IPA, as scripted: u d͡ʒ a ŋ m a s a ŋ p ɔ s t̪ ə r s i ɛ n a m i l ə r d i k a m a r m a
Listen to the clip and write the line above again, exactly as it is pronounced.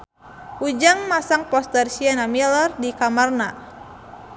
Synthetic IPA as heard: u d͡ʒ a ŋ m a s a ŋ p ɔ s t̪ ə r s i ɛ n a m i l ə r d i k a m a r n a